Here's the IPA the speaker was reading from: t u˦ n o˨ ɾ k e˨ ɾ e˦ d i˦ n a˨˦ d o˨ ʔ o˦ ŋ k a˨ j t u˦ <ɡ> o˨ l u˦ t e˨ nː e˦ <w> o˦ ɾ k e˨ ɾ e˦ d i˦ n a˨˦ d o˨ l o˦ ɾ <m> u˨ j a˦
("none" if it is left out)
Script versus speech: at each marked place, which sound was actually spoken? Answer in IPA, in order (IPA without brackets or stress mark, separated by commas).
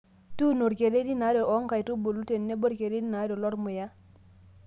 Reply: b, b, m